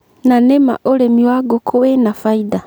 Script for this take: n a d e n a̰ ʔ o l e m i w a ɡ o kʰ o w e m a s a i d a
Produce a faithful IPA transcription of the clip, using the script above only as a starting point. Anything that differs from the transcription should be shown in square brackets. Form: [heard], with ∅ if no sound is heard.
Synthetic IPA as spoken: n a [n] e [m] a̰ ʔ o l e m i w a ɡ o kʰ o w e [n] a [f] a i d a